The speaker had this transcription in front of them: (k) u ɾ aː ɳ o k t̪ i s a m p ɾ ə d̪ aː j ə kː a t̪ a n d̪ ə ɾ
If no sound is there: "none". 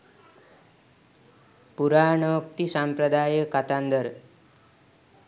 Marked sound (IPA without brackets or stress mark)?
p